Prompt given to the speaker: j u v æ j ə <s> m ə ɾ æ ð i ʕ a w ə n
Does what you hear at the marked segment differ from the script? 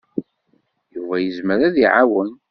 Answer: yes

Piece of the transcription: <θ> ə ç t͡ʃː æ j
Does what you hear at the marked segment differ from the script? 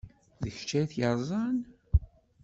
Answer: yes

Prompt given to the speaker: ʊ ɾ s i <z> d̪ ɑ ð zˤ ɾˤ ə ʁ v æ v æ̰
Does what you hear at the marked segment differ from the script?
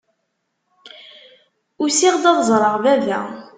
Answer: yes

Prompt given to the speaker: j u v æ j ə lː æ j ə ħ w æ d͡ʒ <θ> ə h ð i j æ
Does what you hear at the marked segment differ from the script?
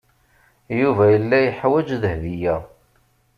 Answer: yes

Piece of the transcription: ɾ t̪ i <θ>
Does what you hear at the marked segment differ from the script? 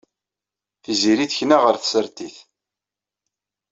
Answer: no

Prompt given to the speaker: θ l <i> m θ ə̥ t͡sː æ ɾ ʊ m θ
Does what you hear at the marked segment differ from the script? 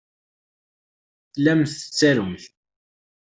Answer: yes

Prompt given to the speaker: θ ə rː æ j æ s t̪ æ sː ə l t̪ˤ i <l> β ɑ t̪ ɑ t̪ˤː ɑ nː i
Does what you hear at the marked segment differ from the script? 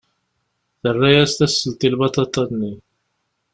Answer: no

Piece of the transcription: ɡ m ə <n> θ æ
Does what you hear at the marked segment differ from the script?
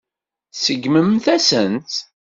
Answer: yes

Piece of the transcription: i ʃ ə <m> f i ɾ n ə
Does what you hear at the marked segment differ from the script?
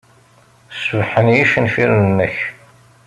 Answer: yes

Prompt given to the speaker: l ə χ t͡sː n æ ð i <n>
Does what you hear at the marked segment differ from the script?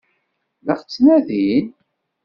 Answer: no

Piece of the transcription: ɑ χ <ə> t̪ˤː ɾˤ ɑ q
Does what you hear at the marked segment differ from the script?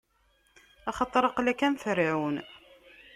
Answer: yes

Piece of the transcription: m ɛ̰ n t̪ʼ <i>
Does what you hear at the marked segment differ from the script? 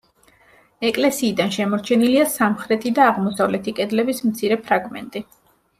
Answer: no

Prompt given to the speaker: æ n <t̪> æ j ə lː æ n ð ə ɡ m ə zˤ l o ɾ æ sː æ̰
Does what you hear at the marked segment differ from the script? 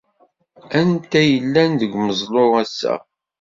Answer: no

